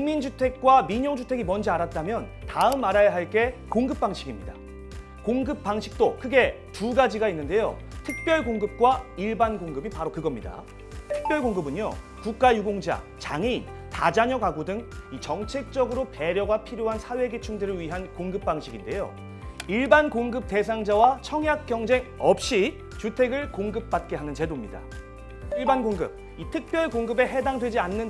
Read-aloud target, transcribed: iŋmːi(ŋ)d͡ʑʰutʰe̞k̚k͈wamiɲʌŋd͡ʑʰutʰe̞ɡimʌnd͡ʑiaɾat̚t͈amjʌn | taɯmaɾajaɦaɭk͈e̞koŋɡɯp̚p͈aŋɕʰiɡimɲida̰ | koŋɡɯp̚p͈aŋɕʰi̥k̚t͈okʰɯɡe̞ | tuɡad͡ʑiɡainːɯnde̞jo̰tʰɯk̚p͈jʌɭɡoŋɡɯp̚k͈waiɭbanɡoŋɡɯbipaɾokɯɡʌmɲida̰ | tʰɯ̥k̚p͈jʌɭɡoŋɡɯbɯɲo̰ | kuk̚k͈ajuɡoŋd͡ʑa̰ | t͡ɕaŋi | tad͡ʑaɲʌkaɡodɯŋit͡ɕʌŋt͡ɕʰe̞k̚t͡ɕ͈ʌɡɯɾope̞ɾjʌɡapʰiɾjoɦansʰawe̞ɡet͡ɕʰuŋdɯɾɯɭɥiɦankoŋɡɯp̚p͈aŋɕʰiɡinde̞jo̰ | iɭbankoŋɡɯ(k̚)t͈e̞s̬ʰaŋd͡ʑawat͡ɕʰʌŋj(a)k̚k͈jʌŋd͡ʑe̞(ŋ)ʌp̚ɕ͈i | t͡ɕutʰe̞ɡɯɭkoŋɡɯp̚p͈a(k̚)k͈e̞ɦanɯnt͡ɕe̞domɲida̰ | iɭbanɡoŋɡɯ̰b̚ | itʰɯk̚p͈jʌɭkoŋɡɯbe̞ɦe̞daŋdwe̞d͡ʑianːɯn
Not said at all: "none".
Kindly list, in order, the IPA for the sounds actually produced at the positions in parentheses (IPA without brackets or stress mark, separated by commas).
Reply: n, p̚, a, ŋ, t̚